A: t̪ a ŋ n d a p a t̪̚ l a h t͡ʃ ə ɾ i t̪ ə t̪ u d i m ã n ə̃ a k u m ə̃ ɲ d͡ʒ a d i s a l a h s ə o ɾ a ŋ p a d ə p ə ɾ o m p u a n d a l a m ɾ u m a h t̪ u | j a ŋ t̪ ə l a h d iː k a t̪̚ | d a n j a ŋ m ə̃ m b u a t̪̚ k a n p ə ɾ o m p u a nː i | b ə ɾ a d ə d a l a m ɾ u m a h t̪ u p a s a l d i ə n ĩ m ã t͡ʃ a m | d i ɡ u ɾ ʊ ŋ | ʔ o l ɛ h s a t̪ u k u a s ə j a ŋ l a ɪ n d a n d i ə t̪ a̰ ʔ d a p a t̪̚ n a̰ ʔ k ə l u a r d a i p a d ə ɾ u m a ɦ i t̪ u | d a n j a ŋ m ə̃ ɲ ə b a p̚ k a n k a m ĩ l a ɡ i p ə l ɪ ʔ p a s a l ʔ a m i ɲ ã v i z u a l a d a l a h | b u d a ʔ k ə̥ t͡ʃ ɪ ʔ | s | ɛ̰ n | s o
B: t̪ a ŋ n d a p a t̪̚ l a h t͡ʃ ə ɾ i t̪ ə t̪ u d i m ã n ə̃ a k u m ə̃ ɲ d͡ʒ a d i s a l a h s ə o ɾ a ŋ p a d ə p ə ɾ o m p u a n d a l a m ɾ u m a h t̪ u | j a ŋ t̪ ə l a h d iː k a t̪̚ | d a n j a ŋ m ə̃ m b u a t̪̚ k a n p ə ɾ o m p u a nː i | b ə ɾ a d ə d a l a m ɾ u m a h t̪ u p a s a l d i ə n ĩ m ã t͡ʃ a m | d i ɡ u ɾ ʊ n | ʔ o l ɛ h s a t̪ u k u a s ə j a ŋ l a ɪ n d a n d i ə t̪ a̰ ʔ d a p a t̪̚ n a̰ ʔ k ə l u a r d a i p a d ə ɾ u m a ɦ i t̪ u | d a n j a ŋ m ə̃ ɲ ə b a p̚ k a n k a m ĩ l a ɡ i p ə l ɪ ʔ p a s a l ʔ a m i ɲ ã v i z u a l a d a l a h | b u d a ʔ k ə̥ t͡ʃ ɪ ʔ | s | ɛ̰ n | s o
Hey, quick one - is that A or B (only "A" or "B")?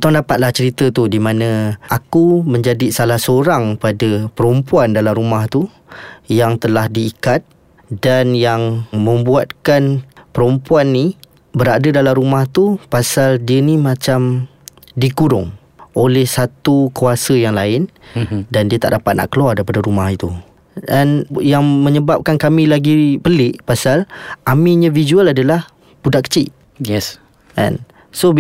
A